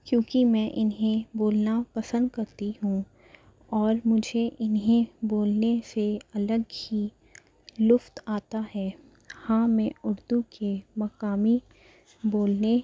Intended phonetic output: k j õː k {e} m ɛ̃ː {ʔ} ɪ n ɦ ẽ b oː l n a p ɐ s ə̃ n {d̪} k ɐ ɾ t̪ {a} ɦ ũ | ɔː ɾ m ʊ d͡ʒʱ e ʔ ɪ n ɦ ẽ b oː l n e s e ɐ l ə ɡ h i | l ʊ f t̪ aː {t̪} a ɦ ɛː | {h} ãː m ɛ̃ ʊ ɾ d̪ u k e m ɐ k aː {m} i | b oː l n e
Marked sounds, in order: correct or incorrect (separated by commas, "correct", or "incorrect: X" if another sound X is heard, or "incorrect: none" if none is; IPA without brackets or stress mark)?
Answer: incorrect: i, correct, correct, incorrect: i, correct, correct, correct